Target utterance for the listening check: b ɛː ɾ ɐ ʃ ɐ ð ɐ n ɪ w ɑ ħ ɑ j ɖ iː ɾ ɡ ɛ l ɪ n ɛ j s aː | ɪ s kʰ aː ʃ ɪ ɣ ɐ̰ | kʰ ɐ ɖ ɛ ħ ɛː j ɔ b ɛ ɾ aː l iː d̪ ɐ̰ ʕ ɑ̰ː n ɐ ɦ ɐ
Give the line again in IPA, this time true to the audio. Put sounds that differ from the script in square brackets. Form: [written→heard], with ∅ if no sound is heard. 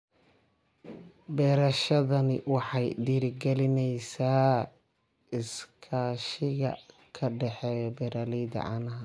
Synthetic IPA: b ɛː ɾ ɐ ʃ ɐ ð ɐ n ɪ w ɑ ħ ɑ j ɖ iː ɾ ɡ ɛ l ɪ n ɛ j s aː | ɪ s kʰ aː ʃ ɪ ɣ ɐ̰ | kʰ ɐ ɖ ɛ ħ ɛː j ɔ b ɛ ɾ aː l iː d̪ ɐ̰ ʕ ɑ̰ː n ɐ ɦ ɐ

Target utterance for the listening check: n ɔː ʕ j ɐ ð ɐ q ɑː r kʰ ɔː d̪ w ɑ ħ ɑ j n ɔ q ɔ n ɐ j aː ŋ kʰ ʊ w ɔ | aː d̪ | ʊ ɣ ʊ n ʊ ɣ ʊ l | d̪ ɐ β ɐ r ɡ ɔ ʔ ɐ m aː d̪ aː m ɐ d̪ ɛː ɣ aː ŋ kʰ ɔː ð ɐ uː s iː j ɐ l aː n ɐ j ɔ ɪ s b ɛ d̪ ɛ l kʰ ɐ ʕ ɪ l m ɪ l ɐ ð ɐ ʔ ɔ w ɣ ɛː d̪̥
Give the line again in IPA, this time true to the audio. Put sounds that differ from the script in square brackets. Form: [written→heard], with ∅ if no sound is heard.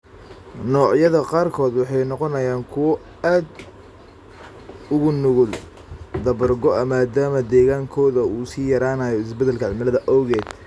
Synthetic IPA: n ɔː ʕ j ɐ ð ɐ q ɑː r kʰ ɔː d̪ w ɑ ħ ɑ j n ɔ q ɔ n ɐ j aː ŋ kʰ ʊ w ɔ | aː d̪ | ʊ ɣ ʊ n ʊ ɣ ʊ l | d̪ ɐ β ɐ r ɡ ɔ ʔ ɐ m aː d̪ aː m ɐ d̪ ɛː ɣ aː ŋ kʰ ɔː ð ɐ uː s iː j ɐ [l→ɾ] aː n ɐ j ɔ ɪ s b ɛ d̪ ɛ l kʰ ɐ ʕ ɪ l m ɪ l ɐ ð ɐ ʔ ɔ w ɣ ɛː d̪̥

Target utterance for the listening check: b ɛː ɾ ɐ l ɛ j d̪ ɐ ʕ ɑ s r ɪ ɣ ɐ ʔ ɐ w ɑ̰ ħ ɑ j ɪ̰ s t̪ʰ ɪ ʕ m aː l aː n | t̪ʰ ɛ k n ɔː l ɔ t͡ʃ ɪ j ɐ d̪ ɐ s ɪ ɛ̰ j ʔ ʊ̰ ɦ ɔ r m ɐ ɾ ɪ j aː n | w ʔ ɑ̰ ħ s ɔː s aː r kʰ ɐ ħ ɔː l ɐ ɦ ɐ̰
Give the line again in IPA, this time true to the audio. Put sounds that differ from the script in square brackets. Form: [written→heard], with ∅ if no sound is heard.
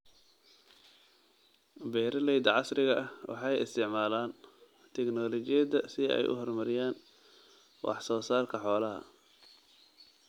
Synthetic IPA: b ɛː ɾ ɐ l ɛ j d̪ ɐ ʕ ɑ s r ɪ ɣ ɐ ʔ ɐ w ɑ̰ ħ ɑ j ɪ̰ s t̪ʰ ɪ ʕ m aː l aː n | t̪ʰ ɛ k n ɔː l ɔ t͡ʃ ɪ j ɐ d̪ ɐ s ɪ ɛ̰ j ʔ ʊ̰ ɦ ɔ r m ɐ ɾ ɪ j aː n | w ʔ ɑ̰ ħ s ɔː s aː r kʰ ɐ ħ ɔː l ɐ ɦ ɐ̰

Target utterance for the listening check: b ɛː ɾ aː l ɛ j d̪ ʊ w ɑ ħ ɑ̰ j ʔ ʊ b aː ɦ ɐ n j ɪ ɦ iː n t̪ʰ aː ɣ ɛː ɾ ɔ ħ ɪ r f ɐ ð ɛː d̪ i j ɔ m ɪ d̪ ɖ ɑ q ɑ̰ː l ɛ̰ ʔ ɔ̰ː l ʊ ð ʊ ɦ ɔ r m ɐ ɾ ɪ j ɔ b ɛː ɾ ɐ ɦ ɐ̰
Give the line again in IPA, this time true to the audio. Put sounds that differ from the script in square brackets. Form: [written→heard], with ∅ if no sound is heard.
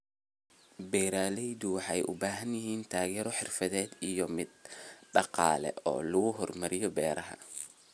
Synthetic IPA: b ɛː ɾ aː l ɛ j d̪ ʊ w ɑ ħ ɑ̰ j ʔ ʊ b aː ɦ ɐ n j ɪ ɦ iː n t̪ʰ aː ɣ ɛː ɾ ɔ ħ ɪ r f ɐ ð ɛː d̪ i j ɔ m ɪ d̪ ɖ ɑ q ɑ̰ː l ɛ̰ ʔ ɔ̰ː l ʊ [ð→ɣ] ʊ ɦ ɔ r m ɐ ɾ ɪ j ɔ b ɛː ɾ ɐ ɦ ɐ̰

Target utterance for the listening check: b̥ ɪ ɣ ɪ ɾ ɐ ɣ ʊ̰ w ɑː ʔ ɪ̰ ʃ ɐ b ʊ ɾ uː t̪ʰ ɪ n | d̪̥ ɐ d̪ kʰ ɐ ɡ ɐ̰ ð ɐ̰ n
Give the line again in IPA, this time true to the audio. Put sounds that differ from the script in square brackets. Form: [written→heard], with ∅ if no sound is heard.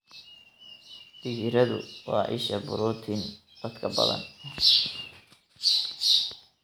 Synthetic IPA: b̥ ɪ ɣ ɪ ɾ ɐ [ɣ→ð] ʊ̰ w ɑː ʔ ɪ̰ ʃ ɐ b ʊ ɾ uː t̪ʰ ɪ n | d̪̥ ɐ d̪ kʰ ɐ [ɡ→b] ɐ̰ ð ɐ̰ n

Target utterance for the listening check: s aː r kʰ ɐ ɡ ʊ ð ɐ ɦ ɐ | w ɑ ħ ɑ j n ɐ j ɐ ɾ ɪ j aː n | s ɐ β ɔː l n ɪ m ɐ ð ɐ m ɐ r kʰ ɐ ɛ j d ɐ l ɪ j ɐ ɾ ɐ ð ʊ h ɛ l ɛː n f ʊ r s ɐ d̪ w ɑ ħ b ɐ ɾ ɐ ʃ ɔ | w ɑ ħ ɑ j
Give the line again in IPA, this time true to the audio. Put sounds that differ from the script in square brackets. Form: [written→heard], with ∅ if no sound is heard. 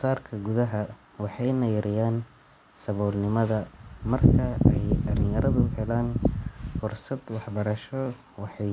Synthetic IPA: s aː r kʰ ɐ ɡ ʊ ð ɐ ɦ ɐ | w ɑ ħ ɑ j n ɐ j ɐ ɾ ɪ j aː n | s ɐ β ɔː l n ɪ m ɐ ð ɐ m ɐ r kʰ ɐ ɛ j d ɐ l ɪ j ɐ ɾ ɐ ð ʊ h ɛ l [ɛː→aː] n f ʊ r s ɐ d̪ w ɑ ħ b ɐ ɾ ɐ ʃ ɔ | w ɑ ħ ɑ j

